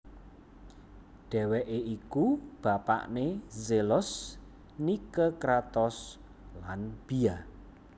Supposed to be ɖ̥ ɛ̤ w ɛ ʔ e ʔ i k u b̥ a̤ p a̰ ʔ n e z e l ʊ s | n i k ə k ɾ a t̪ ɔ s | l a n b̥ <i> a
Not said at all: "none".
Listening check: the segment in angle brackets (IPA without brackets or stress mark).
i